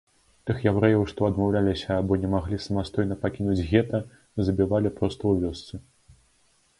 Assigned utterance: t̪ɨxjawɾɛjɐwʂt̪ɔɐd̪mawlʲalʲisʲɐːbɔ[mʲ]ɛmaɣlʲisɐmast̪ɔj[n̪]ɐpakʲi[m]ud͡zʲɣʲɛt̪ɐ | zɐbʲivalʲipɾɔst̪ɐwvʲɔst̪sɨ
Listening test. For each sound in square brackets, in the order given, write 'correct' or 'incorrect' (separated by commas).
incorrect, correct, incorrect